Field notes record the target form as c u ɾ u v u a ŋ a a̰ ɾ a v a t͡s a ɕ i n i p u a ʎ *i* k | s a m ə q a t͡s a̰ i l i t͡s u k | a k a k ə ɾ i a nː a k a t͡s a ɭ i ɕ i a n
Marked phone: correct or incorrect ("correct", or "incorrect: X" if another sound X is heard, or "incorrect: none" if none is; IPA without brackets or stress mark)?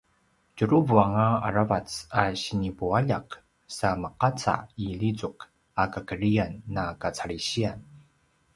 incorrect: a